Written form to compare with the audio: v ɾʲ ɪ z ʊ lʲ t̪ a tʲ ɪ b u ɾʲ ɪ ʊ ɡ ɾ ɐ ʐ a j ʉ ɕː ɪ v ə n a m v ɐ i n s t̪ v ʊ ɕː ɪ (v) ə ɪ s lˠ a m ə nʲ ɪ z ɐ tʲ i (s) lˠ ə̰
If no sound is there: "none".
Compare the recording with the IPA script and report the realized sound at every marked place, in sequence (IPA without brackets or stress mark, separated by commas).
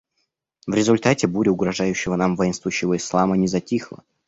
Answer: v, x